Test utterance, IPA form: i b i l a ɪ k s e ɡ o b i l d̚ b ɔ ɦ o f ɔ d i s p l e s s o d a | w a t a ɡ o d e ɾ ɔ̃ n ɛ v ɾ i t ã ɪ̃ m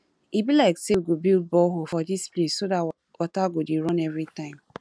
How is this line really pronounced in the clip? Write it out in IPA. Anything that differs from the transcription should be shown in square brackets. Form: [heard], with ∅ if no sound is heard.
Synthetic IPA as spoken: i b i l a ɪ k s e ɡ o b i l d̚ b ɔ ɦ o f ɔ d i s p l e s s o d a | w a t a ɡ o d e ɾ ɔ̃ n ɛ v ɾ i t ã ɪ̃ m